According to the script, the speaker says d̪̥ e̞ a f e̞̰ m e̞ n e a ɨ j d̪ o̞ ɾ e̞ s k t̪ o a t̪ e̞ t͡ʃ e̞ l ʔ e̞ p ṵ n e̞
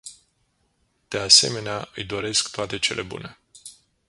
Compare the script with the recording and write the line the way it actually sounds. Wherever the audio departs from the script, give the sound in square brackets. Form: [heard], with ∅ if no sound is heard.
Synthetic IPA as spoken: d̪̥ e̞ a [s] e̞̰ m e̞ n e a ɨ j d̪ o̞ ɾ e̞ s k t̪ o a t̪ e̞ t͡ʃ e̞ l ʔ e̞ [b] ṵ n e̞

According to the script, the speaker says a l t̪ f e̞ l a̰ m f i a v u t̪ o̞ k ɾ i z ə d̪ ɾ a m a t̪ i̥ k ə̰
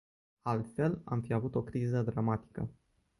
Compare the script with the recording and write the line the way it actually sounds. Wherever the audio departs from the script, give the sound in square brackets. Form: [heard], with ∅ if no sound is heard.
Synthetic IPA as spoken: a l t̪ f e̞ l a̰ m f i a v u t̪ o̞ k ɾ i z ə d̪ ɾ a m a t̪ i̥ k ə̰

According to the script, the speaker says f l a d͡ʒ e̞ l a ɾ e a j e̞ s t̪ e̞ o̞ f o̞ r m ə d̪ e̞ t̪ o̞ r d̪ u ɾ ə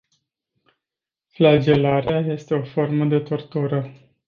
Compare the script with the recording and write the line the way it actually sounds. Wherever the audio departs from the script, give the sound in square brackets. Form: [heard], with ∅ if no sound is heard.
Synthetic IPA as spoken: f l a d͡ʒ e̞ l a ɾ e a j e̞ s t̪ e̞ o̞ f o̞ r m ə d̪ e̞ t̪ o̞ r [t̪] u ɾ ə

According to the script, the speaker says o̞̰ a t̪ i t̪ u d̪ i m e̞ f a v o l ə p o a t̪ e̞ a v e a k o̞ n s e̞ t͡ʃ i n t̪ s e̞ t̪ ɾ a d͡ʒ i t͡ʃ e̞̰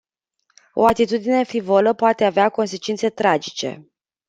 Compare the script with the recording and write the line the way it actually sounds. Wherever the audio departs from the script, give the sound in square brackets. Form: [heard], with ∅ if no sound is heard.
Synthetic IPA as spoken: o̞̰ a t̪ i t̪ u d̪ i [n] e̞ f [i] v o l ə p o a t̪ e̞ a v e a k o̞ n s e̞ t͡ʃ i n t̪ s e̞ t̪ ɾ a d͡ʒ i t͡ʃ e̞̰

